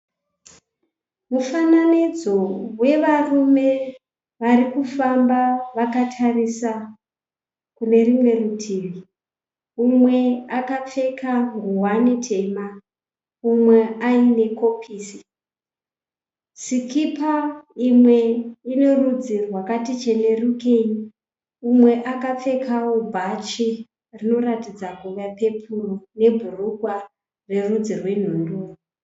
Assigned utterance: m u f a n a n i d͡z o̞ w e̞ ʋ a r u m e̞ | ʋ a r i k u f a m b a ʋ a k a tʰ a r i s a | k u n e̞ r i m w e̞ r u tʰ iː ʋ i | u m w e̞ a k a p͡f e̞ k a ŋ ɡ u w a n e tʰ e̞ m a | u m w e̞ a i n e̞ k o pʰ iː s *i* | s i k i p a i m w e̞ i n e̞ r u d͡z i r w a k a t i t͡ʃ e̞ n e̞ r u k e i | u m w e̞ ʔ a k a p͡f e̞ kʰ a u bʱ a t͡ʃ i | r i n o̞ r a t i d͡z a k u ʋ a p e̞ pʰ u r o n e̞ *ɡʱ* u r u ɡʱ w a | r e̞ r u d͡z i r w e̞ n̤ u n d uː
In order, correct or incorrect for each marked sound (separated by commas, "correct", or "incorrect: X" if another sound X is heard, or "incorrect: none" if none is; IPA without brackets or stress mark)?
correct, incorrect: bʱ